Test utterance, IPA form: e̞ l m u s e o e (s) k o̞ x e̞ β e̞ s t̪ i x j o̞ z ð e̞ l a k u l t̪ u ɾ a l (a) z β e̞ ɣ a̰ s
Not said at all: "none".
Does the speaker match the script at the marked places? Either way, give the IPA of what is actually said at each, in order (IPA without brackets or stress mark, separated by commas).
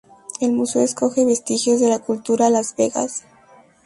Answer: s, a